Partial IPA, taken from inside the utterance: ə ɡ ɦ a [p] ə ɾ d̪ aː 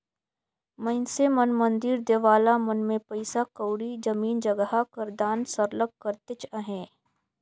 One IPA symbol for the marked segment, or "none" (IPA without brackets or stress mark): k